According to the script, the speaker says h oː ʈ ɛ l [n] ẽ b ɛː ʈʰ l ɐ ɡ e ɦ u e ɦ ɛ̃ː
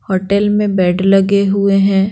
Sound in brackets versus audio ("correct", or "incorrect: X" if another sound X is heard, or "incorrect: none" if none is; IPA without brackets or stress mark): incorrect: m